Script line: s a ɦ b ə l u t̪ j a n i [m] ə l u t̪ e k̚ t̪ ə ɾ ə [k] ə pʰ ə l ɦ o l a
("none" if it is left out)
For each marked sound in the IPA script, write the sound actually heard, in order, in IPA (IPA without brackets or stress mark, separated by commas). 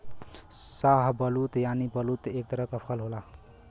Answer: b, k